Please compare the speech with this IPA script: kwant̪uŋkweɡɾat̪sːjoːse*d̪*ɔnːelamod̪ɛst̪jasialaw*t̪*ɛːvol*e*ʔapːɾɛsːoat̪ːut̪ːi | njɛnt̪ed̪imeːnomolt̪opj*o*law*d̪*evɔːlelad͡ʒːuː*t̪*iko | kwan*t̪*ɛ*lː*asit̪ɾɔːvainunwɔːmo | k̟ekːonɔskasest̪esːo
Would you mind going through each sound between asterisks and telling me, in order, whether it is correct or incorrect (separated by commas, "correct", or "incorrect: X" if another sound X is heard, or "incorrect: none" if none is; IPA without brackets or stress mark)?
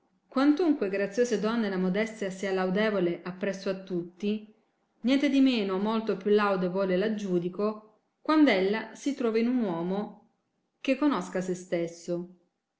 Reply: correct, incorrect: d̪, correct, incorrect: u, correct, incorrect: d̪, incorrect: d̪, correct